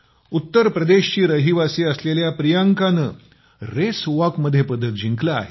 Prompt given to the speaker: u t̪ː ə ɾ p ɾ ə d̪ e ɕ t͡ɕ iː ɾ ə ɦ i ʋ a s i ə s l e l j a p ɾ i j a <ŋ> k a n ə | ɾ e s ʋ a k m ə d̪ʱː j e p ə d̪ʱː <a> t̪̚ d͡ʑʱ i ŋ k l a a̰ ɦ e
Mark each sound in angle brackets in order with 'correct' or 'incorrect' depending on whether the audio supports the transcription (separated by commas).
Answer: correct, incorrect